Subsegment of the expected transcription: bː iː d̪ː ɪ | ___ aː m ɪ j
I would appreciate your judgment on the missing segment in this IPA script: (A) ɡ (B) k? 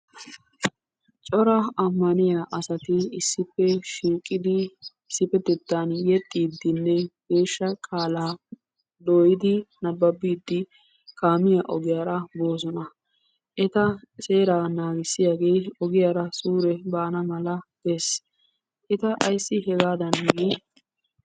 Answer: B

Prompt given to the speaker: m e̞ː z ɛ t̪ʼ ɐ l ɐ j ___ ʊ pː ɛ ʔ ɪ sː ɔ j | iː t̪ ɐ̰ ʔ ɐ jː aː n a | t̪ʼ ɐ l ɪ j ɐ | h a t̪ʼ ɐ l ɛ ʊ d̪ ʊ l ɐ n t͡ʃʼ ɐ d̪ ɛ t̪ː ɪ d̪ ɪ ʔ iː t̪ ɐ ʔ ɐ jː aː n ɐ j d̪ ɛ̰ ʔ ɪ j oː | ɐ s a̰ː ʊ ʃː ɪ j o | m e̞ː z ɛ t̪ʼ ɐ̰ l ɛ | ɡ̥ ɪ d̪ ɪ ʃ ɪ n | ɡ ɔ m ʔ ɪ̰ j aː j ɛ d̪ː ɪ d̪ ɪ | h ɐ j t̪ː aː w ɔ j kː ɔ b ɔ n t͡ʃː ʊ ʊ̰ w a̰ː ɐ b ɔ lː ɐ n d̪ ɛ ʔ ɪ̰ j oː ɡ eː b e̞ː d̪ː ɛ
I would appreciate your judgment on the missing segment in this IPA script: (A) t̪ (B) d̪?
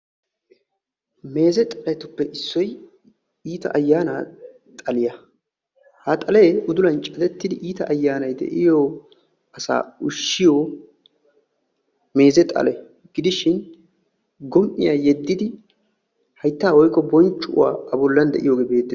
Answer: A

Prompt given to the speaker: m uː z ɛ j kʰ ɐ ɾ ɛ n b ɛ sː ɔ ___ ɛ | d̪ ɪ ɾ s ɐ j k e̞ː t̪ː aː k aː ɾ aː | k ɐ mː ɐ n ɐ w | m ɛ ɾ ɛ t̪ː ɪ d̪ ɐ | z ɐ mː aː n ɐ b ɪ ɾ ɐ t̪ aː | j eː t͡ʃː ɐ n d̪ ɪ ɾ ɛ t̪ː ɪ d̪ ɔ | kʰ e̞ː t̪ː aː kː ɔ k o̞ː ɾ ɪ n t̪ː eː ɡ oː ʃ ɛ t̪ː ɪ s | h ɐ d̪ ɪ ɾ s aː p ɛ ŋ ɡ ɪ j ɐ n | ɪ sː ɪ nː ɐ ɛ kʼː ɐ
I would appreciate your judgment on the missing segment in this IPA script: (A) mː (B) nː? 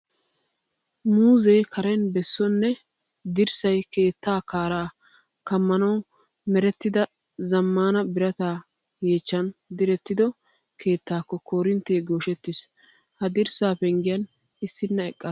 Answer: B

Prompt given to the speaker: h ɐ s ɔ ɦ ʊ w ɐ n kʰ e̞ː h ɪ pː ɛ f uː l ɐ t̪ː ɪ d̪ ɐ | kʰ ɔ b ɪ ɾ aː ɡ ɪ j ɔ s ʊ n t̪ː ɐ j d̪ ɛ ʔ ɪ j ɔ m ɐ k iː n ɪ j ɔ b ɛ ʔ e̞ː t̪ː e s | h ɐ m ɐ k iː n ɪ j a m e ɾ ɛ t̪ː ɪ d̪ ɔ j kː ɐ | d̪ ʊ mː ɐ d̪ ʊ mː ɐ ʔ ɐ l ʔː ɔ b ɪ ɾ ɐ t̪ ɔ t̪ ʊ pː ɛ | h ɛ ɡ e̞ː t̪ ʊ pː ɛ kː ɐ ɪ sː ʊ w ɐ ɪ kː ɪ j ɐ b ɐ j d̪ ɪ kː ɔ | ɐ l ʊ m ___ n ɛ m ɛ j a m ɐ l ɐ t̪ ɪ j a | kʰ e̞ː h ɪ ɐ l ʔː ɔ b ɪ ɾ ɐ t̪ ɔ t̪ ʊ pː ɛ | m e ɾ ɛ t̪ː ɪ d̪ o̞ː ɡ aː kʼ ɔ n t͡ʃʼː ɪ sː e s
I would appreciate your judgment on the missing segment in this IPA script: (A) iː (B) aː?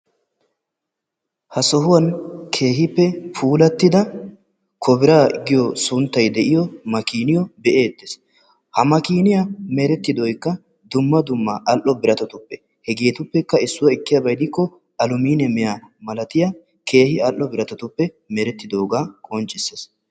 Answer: A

